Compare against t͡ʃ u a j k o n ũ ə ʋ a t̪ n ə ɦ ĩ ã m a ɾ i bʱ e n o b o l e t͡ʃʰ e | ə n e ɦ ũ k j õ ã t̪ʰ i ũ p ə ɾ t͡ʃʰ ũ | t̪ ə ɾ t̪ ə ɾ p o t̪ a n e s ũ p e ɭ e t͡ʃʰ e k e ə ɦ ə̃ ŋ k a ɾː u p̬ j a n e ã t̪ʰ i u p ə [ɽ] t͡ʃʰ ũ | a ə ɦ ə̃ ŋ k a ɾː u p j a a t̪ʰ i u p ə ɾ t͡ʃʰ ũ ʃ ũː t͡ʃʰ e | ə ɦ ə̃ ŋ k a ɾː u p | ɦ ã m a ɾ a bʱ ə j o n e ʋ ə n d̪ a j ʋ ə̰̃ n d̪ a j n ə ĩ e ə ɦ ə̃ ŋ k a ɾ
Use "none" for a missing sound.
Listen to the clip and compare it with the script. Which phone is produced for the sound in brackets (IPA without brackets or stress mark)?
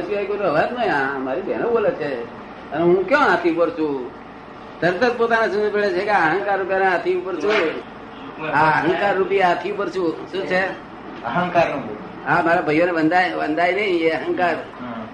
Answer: ɾ